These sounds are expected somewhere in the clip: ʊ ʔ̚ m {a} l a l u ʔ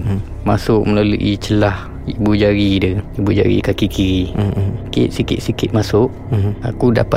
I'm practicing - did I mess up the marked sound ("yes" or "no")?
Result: yes